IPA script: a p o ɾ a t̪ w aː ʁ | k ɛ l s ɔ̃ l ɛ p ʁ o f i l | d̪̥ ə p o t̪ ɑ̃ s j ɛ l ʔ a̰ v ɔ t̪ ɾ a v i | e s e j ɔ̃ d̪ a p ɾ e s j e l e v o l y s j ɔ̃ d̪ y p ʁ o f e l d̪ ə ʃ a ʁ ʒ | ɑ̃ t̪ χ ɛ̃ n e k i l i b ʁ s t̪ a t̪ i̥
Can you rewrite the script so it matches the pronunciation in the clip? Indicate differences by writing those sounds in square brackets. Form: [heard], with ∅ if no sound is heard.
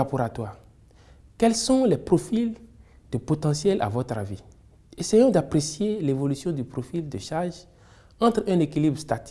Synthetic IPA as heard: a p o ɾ a t̪ w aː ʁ | k ɛ l s ɔ̃ l ɛ p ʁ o f i l | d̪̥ ə p o t̪ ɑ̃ s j ɛ l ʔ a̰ v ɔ t̪ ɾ a v i | e s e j ɔ̃ d̪ a p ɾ e s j e l e v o l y s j ɔ̃ d̪ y p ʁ o f [i] l d̪ ə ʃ a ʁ ʒ | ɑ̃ t̪ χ ɛ̃ n e k i l i b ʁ s t̪ a t̪ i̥

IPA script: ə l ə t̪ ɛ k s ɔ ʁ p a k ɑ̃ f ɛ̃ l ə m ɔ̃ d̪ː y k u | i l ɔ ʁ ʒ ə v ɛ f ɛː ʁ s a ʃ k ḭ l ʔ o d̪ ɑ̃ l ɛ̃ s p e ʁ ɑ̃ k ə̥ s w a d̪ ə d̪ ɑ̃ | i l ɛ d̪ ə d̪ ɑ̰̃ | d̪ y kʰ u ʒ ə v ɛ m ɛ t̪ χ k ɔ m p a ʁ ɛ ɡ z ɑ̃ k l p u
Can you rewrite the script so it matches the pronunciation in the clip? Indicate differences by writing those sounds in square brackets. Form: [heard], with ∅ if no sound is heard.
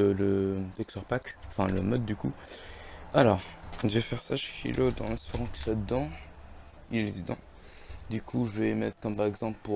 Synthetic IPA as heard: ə l ə t̪ ɛ k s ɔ ʁ p a k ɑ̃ f ɛ̃ l ə m [ɔ] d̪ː y k u | [a] l ɔ ʁ ʒ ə v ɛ f [ɛ] ʁ s a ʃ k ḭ l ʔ o d̪ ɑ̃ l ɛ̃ s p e ʁ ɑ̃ k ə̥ s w a d̪ ə d̪ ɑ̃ | i l ɛ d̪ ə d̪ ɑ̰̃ | d̪ y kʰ u ʒ ə v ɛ m ɛ t̪ χ k ɔ m p a ʁ ɛ ɡ z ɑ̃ [p] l p u

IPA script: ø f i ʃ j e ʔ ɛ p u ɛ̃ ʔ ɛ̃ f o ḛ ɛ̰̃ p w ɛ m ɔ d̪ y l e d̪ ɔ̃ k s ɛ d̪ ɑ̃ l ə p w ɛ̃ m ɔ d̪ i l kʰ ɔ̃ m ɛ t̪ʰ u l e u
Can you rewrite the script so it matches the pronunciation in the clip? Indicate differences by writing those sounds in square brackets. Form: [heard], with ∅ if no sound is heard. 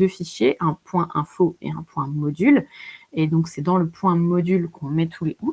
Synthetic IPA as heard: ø f i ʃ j e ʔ [ɛ̃] p [w] ɛ̃ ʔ ɛ̃ f o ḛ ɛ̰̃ p w [ɛ̃] m ɔ d̪ y l e d̪ ɔ̃ k s ɛ d̪ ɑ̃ l ə p w ɛ̃ m ɔ d̪ [y] l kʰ ɔ̃ m ɛ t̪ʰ u l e u

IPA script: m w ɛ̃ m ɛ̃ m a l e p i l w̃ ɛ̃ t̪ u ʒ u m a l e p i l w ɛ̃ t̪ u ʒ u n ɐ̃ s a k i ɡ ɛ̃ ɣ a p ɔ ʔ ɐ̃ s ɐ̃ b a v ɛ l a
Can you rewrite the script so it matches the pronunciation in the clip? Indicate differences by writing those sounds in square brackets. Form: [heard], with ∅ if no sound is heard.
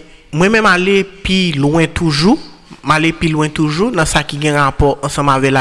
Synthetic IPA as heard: m w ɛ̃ m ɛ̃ m a l e p i l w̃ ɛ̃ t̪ u ʒ u m a l e p i l w ɛ̃ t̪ u ʒ u n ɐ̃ s a k i ɡ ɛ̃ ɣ a p ɔ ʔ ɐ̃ s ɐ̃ [m] a v ɛ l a

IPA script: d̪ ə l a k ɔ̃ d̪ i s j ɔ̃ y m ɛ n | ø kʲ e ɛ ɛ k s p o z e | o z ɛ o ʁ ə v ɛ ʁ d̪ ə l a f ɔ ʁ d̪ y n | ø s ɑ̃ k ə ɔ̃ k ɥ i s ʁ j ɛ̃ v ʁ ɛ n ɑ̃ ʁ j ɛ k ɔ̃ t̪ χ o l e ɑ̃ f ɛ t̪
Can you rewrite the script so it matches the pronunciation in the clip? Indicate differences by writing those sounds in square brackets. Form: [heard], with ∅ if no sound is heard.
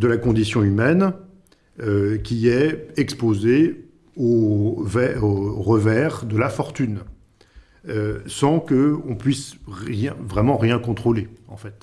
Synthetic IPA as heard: d̪ ə l a k ɔ̃ d̪ i s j ɔ̃ y m ɛ n | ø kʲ [i] ɛ ɛ k s p o z e | o [v] ɛ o ʁ ə v ɛ ʁ d̪ ə l a f ɔ ʁ [t̪] y n | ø s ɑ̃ k ə ɔ̃ [p] ɥ i s ʁ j ɛ̃ v ʁ ɛ [m] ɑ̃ ʁ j [ɛ̃] k ɔ̃ t̪ χ o l e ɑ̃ f ɛ t̪

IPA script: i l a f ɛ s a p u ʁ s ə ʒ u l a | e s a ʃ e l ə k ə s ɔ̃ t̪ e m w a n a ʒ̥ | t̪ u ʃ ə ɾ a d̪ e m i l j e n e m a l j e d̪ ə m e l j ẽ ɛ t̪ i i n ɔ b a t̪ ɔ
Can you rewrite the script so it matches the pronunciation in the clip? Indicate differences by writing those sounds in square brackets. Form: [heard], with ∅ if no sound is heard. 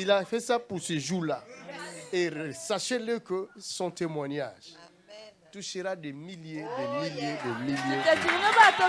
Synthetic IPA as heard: i l a f ɛ s a p u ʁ s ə ʒ u l a | e s a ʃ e l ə k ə s ɔ̃ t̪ e m w a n a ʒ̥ | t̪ u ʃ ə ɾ a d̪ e m i l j e [d] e m [i] l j e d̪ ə m [i] l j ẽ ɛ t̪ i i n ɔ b a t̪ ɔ

